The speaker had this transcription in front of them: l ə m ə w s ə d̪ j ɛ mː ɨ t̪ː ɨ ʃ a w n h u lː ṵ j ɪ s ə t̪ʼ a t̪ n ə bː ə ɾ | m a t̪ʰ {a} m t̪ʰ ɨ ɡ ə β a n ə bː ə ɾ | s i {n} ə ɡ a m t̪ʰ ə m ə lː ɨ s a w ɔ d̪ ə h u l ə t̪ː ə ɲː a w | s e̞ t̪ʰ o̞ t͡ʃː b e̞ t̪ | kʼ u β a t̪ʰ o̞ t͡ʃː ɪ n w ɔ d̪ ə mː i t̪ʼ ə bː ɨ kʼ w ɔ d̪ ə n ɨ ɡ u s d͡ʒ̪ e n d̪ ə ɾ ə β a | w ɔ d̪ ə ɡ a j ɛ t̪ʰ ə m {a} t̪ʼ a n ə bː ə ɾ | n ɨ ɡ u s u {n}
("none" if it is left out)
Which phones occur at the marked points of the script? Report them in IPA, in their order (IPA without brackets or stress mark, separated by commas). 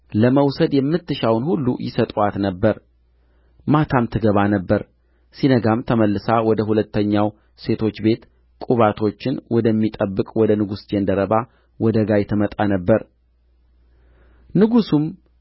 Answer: a, n, ə, m